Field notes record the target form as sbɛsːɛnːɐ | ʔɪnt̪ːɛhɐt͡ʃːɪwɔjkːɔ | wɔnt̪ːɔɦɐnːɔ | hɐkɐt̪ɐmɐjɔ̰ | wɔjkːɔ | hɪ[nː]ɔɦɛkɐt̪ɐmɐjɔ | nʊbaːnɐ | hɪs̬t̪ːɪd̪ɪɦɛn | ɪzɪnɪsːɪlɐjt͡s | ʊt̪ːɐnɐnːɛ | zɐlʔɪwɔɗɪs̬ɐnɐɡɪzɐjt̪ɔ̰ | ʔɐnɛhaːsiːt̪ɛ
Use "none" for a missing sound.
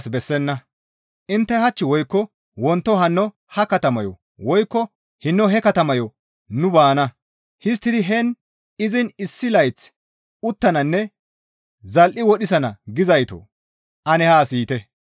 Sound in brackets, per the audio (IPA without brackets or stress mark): nː